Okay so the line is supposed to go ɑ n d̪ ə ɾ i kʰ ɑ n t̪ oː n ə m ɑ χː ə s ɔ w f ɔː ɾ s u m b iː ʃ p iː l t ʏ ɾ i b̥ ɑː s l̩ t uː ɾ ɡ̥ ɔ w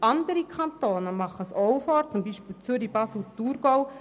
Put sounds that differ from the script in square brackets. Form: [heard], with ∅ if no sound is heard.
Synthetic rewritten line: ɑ n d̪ ə ɾ i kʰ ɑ n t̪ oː n ə m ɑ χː ə s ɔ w f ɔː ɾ [t͡s] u m b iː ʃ p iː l [t͡s] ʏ ɾ i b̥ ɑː s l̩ t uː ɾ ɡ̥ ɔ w